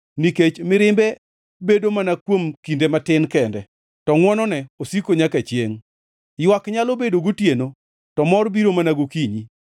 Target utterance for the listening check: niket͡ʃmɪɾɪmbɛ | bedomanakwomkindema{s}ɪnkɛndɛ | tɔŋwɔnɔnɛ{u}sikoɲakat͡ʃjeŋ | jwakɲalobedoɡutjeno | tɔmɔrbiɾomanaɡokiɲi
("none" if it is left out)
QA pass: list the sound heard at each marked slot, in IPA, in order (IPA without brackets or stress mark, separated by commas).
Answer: t, o